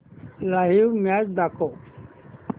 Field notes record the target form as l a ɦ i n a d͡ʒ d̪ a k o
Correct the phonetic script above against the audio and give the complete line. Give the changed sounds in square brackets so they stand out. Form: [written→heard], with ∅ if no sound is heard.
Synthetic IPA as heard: l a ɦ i [n→m] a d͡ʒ d̪ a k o